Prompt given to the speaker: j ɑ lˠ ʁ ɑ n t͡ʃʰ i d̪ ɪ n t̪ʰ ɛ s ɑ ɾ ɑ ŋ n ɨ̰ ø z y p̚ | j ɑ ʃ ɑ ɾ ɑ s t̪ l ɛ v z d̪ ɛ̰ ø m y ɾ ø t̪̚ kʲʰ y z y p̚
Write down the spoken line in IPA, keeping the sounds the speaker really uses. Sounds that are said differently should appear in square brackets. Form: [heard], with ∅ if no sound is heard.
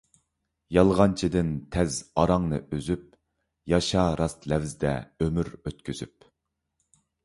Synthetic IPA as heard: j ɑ lˠ ʁ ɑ n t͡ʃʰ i d̪ ɪ n t̪ʰ ɛ [z] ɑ ɾ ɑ ŋ n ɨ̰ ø z y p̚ | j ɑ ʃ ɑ ɾ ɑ s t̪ l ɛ v z d̪ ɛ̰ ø m y ɾ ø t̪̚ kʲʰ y z y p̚